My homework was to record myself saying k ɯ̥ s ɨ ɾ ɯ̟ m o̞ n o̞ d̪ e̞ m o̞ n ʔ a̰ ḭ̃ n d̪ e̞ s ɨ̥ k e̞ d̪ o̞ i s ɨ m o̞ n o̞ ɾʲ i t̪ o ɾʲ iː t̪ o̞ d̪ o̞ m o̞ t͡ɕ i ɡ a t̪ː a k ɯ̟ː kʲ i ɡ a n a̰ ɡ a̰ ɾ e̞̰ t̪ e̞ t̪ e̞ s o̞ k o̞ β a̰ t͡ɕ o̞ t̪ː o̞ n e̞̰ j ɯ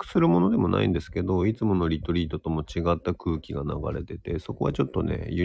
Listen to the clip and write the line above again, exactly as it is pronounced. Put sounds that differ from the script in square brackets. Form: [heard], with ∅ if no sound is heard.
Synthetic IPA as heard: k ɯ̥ s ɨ ɾ ɯ̟ m o̞ n o̞ d̪ e̞ m o̞ n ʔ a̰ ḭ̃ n d̪ e̞ s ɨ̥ k e̞ d̪ o̞ i [t͡s] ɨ m o̞ n o̞ ɾʲ i t̪ o ɾʲ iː t̪ o̞ [t̪] o̞ m o̞ t͡ɕ i ɡ a t̪ː a k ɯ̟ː kʲ i ɡ a n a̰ ɡ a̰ ɾ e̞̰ t̪ e̞ t̪ e̞ s o̞ k o̞ β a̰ t͡ɕ o̞ t̪ː o̞ n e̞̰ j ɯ